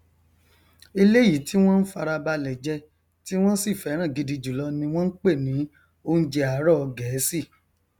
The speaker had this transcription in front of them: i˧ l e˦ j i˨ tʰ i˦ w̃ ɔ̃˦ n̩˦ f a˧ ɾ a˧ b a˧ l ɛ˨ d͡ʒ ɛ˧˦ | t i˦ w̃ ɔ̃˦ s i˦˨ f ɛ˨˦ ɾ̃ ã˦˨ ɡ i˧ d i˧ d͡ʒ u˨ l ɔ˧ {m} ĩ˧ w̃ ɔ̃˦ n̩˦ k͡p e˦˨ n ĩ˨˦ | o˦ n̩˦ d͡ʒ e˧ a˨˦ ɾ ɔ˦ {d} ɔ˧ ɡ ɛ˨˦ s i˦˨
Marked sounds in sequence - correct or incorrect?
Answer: incorrect: n, incorrect: none

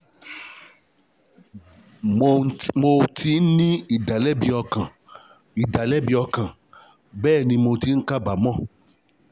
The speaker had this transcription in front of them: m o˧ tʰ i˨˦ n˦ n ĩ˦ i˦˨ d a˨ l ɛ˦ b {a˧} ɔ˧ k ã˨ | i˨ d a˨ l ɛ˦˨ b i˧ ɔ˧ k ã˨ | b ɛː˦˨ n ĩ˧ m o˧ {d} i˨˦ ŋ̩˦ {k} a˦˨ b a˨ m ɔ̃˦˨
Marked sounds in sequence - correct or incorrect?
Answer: incorrect: i˧, incorrect: t, correct

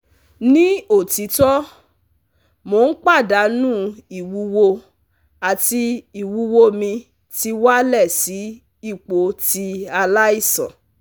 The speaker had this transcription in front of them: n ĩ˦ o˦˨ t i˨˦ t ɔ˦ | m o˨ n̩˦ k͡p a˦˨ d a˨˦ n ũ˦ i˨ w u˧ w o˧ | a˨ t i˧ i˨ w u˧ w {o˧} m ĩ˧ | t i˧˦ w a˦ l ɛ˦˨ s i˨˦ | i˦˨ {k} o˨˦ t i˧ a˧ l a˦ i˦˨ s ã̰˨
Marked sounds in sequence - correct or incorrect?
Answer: correct, incorrect: k͡p

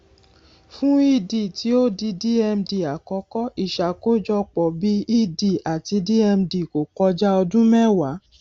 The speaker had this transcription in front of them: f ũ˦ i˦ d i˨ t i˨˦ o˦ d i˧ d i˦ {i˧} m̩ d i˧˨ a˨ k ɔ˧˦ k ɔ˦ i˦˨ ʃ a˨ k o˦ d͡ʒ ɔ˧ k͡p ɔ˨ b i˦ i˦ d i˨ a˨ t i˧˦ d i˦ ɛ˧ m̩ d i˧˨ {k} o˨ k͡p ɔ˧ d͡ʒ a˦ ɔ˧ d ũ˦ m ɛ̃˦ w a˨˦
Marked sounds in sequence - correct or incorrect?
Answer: incorrect: ɛ˧, correct

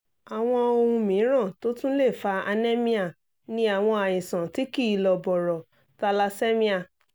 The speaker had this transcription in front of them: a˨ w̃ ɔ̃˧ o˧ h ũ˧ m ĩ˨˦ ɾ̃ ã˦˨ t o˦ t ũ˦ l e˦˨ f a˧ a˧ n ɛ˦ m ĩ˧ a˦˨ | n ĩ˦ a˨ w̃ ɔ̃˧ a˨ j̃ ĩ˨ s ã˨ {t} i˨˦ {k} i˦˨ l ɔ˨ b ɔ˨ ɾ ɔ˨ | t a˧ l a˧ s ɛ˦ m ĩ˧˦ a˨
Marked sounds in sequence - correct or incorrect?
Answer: correct, correct

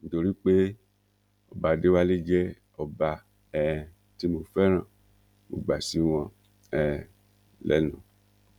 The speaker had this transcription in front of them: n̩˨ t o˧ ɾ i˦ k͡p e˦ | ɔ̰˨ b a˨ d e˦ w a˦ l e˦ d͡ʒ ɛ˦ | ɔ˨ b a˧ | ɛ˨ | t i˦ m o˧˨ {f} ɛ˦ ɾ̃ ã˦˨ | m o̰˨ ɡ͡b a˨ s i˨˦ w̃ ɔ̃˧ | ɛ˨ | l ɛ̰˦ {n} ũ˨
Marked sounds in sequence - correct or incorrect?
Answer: correct, correct

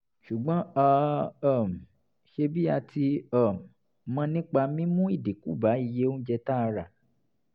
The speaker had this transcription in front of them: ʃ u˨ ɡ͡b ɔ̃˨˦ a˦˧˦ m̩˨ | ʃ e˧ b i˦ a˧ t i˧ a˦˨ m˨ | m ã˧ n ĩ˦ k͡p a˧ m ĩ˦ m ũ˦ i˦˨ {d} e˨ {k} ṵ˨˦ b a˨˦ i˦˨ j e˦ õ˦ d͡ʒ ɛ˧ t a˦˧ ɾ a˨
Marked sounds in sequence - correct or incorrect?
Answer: correct, correct

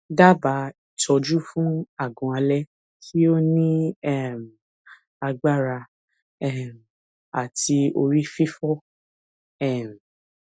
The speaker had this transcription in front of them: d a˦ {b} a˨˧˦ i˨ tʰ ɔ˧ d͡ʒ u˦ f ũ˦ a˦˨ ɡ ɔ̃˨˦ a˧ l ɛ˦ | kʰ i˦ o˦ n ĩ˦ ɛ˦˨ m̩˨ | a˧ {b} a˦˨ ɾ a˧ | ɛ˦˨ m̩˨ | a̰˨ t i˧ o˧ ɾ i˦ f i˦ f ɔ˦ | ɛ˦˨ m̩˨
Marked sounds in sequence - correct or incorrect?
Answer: correct, incorrect: ɡ͡b

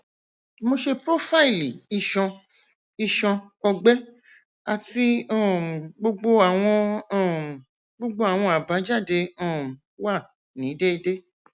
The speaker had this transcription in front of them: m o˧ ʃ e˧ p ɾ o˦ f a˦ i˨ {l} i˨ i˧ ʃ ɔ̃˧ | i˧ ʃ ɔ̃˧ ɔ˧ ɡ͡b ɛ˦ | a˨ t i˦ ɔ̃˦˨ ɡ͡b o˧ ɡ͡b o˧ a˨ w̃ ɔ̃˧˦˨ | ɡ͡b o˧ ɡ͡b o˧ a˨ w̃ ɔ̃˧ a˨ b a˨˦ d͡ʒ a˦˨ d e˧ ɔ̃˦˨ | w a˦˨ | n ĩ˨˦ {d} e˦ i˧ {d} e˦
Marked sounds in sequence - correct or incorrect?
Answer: correct, correct, correct

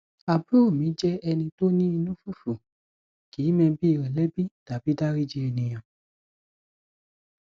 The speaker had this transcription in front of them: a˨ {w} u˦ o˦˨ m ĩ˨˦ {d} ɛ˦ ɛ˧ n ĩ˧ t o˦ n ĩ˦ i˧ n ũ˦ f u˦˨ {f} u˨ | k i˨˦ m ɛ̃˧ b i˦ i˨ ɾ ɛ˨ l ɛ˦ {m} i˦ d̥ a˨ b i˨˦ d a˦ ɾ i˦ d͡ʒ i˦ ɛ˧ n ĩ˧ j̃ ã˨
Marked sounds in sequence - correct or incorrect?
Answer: incorrect: b, incorrect: d͡ʒ, correct, incorrect: b

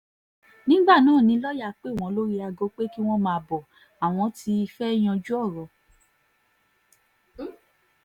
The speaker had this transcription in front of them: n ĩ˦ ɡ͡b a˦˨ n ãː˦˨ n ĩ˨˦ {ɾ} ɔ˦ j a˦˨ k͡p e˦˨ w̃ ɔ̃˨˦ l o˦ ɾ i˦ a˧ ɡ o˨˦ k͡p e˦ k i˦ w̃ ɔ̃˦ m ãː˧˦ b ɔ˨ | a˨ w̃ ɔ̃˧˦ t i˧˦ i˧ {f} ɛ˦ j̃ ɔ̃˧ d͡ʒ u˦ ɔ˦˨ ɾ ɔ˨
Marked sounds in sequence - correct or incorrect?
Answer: incorrect: l, correct

